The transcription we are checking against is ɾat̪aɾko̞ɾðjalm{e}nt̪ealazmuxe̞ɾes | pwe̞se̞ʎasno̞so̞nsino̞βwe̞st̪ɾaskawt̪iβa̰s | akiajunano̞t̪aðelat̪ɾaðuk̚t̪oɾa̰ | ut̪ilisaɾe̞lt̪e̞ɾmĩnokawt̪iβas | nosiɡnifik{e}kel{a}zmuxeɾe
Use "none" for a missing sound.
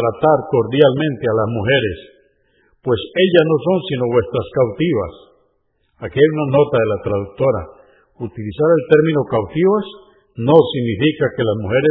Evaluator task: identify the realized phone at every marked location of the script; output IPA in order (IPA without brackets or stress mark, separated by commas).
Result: ẽ, a, a